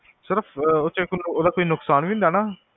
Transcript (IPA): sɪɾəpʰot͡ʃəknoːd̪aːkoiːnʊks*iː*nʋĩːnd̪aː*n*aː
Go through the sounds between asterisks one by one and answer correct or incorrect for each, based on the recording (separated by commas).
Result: incorrect, correct